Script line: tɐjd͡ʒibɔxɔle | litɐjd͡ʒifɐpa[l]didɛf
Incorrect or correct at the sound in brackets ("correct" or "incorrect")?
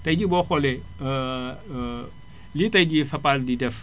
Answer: correct